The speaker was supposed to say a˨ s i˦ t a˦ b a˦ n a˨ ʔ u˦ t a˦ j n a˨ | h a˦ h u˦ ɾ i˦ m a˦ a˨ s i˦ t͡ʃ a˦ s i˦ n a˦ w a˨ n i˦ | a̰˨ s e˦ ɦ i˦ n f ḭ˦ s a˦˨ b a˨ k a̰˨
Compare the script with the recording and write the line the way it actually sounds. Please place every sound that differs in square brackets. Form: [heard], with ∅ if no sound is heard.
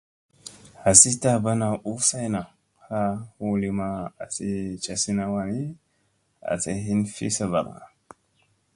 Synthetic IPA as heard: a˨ s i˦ t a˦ b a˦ n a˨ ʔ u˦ [s] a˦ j n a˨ | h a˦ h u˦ [l] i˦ m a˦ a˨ s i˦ t͡ʃ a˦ s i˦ n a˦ w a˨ n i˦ | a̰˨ s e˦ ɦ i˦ n f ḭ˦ s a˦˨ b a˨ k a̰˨